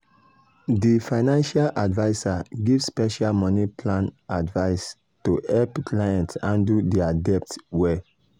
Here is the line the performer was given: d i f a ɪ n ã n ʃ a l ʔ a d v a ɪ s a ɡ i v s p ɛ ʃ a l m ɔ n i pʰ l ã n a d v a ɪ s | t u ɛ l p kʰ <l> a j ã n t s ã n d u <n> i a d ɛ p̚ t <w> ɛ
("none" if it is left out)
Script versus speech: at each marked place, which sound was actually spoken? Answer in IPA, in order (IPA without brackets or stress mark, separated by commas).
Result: l, d, w